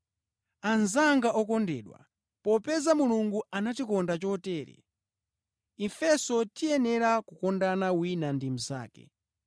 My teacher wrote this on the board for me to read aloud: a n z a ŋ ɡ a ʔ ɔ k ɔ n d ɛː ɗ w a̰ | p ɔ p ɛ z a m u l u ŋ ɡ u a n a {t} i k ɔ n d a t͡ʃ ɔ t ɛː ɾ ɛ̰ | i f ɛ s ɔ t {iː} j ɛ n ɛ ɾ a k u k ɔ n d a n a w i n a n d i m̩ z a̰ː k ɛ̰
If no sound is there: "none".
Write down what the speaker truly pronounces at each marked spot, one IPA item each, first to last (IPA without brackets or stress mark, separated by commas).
t, i